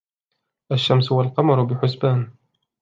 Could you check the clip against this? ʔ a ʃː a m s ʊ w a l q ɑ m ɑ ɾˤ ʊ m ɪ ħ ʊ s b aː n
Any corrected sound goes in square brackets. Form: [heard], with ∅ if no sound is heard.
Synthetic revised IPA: ʔ a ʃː a m s ʊ w a l q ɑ m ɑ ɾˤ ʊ [b] ɪ ħ ʊ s b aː n